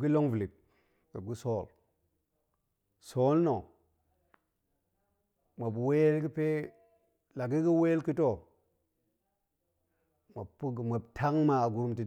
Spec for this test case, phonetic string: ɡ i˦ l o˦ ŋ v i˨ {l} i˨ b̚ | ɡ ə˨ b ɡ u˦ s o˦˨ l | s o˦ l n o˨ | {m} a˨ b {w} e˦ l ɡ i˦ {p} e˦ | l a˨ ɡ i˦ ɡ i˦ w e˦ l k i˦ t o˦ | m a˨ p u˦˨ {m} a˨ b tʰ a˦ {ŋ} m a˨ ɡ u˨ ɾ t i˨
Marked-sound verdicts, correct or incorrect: correct, correct, correct, correct, correct, correct

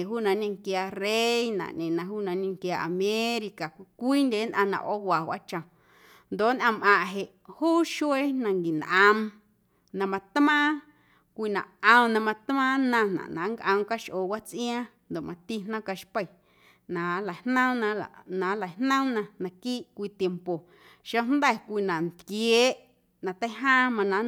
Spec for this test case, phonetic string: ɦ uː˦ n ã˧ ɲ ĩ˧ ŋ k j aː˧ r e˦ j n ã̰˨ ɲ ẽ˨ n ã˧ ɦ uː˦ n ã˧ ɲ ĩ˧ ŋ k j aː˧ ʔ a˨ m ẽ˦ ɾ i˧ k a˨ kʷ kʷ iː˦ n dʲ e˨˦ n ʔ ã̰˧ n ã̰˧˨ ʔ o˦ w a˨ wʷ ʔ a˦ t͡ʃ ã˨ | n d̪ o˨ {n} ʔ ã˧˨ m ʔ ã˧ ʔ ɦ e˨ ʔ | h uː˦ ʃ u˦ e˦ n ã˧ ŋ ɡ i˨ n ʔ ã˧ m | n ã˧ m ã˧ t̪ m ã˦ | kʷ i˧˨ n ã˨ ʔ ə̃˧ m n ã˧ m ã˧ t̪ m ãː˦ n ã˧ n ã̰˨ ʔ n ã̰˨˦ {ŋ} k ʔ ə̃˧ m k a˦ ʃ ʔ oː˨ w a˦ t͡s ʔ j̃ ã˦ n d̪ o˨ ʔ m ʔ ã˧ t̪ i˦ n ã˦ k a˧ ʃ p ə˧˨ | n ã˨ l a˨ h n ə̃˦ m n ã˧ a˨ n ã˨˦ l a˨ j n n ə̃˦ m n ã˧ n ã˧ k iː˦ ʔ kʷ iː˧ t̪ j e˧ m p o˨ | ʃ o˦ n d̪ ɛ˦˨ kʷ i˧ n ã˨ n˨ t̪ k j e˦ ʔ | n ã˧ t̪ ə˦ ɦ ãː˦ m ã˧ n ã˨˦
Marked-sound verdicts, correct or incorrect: correct, correct

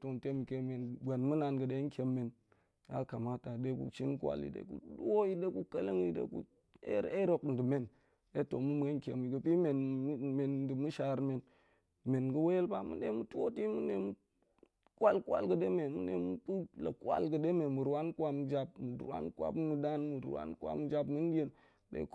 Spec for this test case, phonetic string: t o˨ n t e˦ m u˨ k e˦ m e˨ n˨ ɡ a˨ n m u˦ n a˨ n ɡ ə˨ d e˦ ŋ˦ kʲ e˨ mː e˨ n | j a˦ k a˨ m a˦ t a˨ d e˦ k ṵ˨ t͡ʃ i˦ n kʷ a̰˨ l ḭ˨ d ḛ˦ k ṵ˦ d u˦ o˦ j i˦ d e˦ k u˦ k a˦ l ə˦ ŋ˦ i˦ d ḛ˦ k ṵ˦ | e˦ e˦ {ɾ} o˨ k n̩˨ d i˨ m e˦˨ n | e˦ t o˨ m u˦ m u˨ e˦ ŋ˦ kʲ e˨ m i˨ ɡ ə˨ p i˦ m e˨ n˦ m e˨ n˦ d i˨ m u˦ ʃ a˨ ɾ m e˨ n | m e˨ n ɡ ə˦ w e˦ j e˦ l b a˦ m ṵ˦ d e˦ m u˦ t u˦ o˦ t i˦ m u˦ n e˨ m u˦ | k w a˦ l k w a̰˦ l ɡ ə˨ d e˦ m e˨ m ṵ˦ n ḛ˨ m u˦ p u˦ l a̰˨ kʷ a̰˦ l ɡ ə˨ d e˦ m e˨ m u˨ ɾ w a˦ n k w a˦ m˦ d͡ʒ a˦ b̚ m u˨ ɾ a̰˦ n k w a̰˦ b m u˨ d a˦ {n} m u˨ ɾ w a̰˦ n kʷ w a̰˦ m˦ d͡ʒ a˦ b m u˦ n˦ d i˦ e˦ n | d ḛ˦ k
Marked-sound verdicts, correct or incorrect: correct, correct

